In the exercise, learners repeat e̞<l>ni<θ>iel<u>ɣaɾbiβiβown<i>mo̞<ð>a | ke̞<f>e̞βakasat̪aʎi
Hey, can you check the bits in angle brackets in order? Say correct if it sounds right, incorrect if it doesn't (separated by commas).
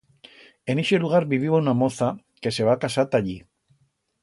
incorrect, incorrect, correct, incorrect, incorrect, incorrect